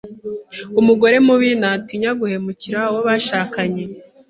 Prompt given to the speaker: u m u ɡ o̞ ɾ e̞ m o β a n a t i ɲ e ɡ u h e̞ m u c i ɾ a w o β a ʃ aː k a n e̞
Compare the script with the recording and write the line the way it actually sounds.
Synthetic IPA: u m u ɡ o̞ ɾ e̞ m u β i n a t i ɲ a ɡ u h e̞ m u c i ɾ a w o β a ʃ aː k a ɲ e̞